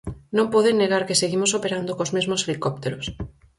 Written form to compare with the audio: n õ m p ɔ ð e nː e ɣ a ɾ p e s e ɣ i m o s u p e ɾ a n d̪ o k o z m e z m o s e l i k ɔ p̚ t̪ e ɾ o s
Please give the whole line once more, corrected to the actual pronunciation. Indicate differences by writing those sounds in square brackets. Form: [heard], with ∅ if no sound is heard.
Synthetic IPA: n õ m p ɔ ð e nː e ɣ a ɾ [k] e s e ɣ i m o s [o] p e ɾ a n d̪ o k o z m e z m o s e l i k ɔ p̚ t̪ e ɾ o s